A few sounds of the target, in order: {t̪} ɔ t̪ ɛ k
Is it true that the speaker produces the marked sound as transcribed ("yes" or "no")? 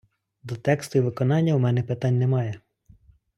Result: no